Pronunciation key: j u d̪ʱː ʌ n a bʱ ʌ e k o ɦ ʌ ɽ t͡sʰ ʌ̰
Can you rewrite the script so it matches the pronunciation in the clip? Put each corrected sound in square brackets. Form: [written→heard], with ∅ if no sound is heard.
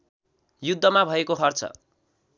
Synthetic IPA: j u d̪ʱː ʌ [n→m] a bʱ ʌ e k o ɦ ʌ [ɽ→r] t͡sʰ ʌ̰